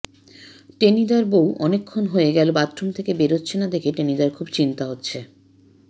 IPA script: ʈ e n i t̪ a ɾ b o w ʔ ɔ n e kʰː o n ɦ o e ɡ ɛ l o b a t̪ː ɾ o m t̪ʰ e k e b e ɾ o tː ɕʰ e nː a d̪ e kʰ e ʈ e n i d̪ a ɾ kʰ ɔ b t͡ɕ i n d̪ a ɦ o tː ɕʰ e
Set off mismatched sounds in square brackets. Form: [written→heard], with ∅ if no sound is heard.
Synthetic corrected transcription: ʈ e n i [t̪→d̪] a ɾ b o w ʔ ɔ n e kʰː o n ɦ o e ɡ ɛ l o b a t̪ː ɾ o m t̪ʰ e k e b e ɾ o tː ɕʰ e [nː→n] a d̪ e kʰ e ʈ e n i d̪ a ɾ kʰ [ɔ→u] b t͡ɕ i n [d̪→t̪] a ɦ o tː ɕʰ e